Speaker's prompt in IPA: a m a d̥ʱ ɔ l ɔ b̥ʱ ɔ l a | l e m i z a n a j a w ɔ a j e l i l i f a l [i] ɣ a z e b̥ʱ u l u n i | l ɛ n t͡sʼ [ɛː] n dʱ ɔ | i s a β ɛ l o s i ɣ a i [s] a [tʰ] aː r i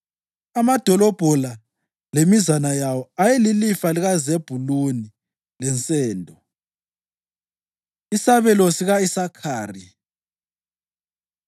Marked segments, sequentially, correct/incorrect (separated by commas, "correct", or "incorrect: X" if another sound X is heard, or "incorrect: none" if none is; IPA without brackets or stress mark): correct, correct, correct, incorrect: kʰ